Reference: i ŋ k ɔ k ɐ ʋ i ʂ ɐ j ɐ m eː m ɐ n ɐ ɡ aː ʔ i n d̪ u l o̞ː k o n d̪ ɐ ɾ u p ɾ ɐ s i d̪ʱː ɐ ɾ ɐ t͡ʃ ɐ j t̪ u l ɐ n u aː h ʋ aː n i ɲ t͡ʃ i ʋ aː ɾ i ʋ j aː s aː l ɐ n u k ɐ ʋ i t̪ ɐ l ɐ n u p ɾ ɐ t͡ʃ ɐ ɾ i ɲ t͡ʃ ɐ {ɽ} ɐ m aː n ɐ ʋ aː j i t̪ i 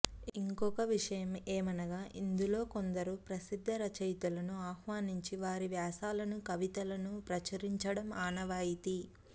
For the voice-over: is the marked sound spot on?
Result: yes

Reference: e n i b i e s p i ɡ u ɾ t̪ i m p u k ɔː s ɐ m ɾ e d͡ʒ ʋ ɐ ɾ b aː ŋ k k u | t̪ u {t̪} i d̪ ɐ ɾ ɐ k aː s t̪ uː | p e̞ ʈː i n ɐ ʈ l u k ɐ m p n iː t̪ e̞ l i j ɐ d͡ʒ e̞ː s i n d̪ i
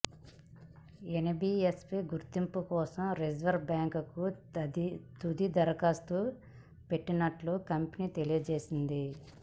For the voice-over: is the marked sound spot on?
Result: no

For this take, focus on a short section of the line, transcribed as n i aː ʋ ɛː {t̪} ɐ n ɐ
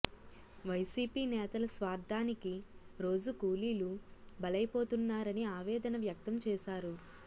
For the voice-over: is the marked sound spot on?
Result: no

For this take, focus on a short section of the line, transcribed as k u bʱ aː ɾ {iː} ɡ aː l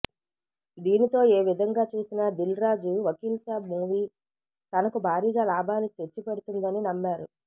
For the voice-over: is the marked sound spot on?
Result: yes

